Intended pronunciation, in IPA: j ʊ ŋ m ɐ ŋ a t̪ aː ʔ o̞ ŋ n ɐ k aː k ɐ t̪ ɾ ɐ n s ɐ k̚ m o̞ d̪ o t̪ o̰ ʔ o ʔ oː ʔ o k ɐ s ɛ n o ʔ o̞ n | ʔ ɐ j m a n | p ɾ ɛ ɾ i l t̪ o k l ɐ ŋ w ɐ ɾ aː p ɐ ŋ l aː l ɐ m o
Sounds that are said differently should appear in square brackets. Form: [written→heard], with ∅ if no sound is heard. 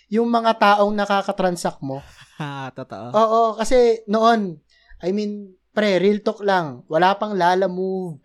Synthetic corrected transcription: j ʊ ŋ m ɐ ŋ a t̪ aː ʔ o̞ ŋ n ɐ k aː k ɐ t̪ ɾ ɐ n s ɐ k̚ m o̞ [d̪→t̪] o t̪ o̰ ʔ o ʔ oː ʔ o k ɐ s ɛ n o ʔ o̞ n | ʔ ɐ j m [a→i] n | p ɾ ɛ ɾ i l t̪ o k l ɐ ŋ w ɐ [ɾ→l] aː p ɐ ŋ l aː l ɐ m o